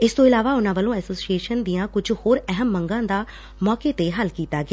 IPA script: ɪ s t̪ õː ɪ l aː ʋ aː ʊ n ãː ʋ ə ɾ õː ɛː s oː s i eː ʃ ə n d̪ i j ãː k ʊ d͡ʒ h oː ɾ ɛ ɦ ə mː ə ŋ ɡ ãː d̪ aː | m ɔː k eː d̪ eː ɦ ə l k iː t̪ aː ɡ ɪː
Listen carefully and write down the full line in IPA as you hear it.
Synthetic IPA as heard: ɪ s t̪ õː ɪ l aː ʋ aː ʊ n ãː ʋ ə l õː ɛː s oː s i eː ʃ ə n d̪ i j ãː k ʊ d͡ʒ h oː ɾ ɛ ɦ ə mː ə ŋ ɡ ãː d̪ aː | m ɔː k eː t̪ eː ɦ ə l k iː t̪ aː ɡ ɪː